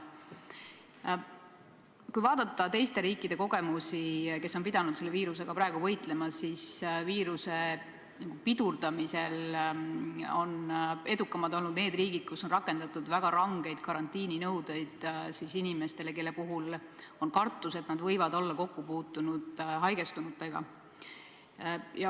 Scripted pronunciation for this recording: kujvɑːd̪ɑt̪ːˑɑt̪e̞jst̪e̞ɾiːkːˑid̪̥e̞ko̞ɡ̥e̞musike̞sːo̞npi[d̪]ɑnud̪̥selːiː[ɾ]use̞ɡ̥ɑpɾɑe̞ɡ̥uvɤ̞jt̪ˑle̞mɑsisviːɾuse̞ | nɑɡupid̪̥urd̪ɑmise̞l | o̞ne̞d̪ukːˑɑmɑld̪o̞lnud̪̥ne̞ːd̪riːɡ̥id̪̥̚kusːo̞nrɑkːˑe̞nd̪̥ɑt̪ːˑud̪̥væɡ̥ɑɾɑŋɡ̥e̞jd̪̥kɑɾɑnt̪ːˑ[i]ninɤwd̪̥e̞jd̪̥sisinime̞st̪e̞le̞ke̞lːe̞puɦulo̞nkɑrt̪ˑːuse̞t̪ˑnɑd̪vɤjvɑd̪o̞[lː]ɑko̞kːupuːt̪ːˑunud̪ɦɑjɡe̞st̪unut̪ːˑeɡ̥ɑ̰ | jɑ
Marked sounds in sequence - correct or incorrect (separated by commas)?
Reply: correct, correct, incorrect, correct